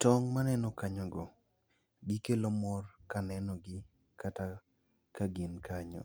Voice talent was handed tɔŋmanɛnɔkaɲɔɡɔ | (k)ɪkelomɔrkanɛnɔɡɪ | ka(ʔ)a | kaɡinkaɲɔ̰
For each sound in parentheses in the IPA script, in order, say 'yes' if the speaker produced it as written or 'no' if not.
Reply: no, no

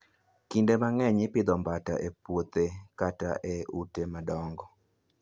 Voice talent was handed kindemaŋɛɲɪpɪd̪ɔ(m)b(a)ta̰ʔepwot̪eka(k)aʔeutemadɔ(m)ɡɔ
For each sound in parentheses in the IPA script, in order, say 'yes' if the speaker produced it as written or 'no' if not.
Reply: yes, yes, no, no

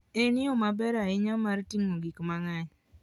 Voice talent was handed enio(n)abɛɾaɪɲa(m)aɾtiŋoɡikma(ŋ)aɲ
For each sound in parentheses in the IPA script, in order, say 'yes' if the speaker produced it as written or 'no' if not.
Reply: no, yes, yes

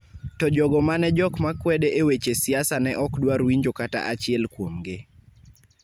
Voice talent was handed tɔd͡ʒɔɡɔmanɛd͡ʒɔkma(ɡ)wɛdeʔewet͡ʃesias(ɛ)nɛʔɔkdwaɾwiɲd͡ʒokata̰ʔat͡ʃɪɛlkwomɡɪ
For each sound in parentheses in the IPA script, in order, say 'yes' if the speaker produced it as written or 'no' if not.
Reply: no, no

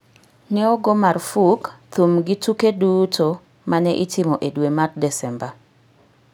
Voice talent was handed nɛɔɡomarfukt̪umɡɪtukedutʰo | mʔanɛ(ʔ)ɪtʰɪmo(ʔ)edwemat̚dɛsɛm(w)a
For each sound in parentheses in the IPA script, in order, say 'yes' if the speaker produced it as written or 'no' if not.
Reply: yes, yes, no

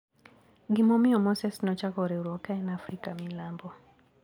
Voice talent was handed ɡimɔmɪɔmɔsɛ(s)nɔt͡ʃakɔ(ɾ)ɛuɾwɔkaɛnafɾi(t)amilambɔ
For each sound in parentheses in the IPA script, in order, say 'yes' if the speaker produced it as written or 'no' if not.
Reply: yes, yes, no

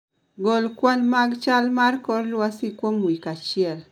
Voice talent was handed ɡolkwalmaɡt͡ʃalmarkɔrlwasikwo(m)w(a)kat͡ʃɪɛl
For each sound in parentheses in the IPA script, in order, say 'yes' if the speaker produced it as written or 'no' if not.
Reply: yes, no

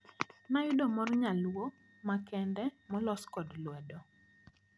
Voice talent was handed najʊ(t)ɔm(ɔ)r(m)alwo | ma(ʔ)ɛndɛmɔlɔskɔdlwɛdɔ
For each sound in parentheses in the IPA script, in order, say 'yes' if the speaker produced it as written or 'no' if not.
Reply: no, yes, no, no

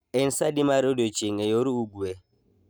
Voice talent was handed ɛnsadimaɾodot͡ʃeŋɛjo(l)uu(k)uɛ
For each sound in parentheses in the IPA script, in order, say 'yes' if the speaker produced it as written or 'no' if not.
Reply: no, no

